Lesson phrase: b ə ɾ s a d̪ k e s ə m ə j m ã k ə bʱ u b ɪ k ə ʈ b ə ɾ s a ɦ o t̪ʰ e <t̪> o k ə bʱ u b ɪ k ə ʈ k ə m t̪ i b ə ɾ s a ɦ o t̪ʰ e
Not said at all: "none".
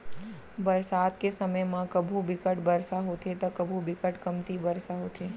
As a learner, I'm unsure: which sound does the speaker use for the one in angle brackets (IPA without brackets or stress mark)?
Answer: t̪